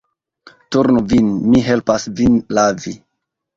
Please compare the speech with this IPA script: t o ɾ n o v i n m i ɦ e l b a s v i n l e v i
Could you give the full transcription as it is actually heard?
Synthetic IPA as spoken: t u ɾ n u v i n m i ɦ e l p a s v i n l a v i